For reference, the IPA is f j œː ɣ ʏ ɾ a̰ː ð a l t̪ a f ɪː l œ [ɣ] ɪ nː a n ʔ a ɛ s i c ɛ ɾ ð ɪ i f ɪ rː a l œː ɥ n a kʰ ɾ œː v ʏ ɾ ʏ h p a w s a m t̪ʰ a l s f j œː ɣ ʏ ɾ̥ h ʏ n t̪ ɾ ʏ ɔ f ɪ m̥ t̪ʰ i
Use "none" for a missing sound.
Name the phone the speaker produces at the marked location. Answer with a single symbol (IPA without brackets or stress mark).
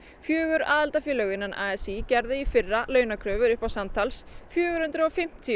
ɣ